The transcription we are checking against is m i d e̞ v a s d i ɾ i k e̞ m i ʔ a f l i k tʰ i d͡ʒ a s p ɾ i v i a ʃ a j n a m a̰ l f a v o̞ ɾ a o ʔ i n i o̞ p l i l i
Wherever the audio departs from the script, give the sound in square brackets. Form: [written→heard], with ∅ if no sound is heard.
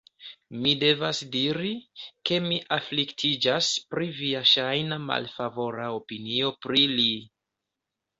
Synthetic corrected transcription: m i d e̞ v a s d i ɾ i k e̞ m i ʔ a f l i k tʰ i d͡ʒ a s p ɾ i v i a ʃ a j n a m a̰ l f a v o̞ ɾ a o [ʔ→p] i n i o̞ p [l→ɾ] i l i